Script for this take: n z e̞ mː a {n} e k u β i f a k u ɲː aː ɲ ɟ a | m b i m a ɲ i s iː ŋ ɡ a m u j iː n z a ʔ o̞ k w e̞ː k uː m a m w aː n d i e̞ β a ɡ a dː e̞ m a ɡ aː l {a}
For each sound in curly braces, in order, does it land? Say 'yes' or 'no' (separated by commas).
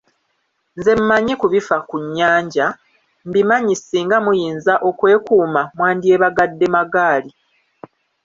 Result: no, no